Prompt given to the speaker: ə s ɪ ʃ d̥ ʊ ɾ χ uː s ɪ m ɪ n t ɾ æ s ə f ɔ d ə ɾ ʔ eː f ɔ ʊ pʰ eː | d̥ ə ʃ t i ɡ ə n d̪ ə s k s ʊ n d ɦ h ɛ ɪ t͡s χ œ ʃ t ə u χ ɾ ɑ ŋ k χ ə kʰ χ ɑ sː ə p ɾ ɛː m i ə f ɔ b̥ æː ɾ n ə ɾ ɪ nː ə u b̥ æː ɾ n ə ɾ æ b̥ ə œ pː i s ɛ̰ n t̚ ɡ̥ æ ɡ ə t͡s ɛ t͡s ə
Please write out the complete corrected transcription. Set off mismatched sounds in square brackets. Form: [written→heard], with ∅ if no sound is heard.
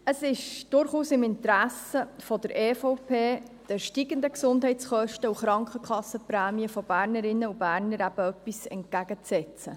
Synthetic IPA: ə s ɪ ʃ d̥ ʊ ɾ χ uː s ɪ m ɪ n t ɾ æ s ə f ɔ d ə ɾ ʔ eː f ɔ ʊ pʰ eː | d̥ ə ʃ t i ɡ ə n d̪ ə [s→∅] k s ʊ n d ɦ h ɛ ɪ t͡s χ œ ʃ t ə u χ ɾ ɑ ŋ k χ ə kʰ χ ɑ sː ə p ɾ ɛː m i ə f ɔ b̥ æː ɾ n ə ɾ ɪ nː ə u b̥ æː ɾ n ə ɾ æ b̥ ə œ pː i s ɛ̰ n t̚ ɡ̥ æ ɡ ə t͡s ɛ t͡s ə